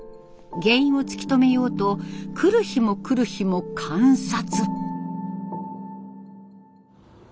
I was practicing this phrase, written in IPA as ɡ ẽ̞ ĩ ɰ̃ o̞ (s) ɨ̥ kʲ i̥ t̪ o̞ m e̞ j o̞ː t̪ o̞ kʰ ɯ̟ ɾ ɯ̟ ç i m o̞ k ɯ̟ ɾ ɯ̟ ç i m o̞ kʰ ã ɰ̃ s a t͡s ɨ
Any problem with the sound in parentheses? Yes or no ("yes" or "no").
yes